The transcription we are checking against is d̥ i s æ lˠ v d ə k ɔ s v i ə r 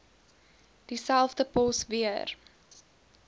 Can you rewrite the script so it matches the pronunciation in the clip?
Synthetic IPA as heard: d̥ i s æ lˠ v d ə p ɔ s v i ə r